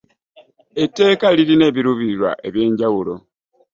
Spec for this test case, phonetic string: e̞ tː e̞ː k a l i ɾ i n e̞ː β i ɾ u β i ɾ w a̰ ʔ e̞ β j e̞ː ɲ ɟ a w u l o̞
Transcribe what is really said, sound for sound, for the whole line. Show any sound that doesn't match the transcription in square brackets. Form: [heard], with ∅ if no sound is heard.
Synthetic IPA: e̞ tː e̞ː k a l i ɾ i n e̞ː β i ɾ u β i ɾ w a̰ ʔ e̞ β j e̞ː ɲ ɟ a w u l o̞